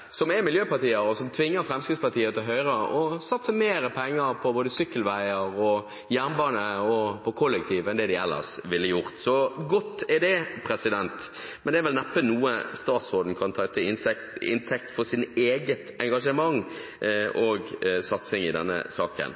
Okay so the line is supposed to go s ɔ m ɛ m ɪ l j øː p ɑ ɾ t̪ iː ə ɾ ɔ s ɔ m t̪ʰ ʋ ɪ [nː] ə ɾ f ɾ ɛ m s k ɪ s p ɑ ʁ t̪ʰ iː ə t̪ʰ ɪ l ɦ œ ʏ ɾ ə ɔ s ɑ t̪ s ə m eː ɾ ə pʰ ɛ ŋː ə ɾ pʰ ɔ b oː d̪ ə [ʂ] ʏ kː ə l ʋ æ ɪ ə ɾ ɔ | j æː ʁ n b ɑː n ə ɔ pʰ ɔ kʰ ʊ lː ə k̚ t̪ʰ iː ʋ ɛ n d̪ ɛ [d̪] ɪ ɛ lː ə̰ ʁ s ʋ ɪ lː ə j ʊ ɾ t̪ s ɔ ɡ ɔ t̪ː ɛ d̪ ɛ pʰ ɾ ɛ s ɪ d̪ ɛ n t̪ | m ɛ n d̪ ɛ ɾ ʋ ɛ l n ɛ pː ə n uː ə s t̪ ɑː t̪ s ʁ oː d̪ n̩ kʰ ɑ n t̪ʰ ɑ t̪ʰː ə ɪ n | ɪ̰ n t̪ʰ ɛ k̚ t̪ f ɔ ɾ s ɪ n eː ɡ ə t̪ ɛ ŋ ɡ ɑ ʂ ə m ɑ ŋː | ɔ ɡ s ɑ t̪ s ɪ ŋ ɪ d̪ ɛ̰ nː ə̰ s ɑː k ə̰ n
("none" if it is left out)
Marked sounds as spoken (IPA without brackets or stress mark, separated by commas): ŋː, s, d̪